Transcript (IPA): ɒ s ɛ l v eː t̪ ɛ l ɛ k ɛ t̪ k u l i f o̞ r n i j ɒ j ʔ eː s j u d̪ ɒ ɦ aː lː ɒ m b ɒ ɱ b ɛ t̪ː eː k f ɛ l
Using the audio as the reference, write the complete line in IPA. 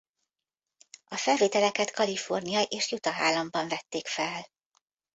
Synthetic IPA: ɒ f ɛ l v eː t̪ ɛ l ɛ k ɛ t̪ k ɒ l i f o̞ r n i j ɒ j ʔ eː ʃ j u t̪ ɒ ɦ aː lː ɒ m b ɒ ɱ v ɛ t̪ː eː k f ɛ l